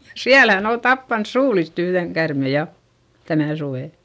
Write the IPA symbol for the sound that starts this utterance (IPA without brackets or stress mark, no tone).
s